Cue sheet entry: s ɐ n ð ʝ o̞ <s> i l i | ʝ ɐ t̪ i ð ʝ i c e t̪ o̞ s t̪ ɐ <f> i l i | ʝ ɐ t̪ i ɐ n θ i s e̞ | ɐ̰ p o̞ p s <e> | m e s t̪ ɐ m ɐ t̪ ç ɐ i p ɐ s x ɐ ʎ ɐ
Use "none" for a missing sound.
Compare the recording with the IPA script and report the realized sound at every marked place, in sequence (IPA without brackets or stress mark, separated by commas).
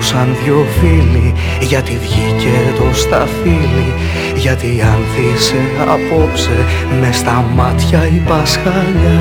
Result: f, f, e